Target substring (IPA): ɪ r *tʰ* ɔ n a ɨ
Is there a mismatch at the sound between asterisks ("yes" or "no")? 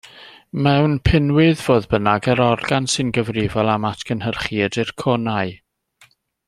yes